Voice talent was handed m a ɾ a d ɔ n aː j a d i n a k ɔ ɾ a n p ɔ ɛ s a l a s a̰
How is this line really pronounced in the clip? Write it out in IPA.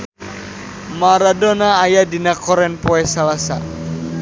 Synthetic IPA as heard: m a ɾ a d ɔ n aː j a d i n a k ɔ ɾ ɛ n p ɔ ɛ s a l a s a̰